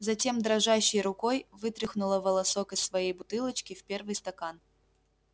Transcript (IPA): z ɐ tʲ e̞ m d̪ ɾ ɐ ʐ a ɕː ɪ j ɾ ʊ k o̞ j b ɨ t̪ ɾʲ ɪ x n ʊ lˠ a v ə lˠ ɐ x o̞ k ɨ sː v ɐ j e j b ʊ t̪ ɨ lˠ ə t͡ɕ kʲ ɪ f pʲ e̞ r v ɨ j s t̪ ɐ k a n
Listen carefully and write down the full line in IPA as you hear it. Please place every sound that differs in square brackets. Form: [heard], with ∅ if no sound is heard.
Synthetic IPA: z ɐ tʲ e̞ m d̪ ɾ ɐ ʐ a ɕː ɪ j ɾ ʊ k o̞ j [v] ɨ t̪ ɾʲ ɪ x n ʊ lˠ [ə] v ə lˠ ɐ [s] o̞ k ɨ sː v ɐ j e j b ʊ t̪ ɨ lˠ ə t͡ɕ kʲ ɪ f pʲ e̞ r v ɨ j s t̪ ɐ k a n